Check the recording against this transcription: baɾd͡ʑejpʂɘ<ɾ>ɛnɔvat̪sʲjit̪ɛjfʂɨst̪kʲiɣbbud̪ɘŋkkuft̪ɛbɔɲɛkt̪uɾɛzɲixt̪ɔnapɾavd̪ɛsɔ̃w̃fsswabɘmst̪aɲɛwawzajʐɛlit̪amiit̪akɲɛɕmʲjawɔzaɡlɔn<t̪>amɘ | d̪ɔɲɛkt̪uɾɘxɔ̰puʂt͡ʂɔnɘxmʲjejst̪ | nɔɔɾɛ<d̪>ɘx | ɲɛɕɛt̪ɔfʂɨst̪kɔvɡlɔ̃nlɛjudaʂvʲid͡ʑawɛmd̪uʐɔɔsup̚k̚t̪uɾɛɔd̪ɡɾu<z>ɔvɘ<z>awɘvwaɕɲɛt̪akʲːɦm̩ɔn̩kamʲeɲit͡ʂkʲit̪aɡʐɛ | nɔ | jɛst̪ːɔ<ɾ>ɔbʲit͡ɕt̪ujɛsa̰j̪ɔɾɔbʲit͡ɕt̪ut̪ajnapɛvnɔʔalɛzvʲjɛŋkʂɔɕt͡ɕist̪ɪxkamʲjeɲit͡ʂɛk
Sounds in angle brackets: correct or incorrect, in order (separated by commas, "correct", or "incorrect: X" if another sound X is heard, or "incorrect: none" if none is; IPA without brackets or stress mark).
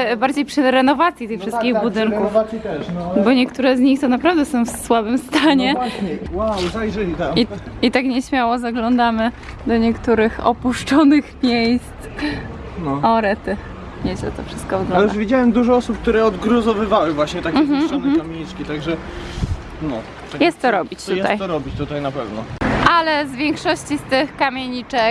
correct, incorrect: d̪, incorrect: t̪, correct, incorrect: v, correct